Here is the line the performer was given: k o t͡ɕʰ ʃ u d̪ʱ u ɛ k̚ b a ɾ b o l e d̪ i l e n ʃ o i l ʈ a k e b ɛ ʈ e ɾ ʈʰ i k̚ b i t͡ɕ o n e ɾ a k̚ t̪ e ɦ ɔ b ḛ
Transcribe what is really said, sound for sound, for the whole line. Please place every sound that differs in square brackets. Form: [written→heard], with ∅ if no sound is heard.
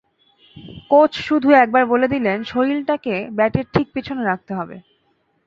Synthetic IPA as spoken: k o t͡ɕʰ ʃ u d̪ʱ u ɛ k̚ b a ɾ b o l e d̪ i l e n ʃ o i l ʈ a k e b ɛ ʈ e ɾ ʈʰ i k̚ [b→p] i [t͡ɕ→t͡ɕʰ] o n e ɾ a k̚ t̪ e ɦ ɔ b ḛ